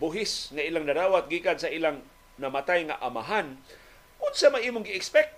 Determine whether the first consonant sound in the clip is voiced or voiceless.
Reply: voiced